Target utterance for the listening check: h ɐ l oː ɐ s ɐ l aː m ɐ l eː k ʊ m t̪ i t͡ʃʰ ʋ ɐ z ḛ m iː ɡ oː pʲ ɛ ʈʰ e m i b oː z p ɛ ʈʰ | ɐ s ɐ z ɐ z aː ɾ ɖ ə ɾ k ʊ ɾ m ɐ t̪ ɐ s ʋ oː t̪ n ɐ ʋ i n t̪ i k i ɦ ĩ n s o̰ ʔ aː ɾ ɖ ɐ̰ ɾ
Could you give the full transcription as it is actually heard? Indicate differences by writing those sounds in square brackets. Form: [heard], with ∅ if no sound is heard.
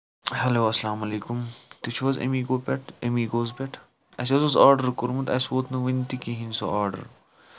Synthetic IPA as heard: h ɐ l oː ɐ s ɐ l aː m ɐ l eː k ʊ m t̪ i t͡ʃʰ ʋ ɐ z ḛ m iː ɡ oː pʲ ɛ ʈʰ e m i [ɡ] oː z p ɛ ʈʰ | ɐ s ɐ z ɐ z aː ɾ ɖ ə ɾ k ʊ ɾ m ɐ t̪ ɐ s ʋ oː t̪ n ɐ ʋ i n t̪ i k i ɦ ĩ n s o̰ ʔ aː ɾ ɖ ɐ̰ ɾ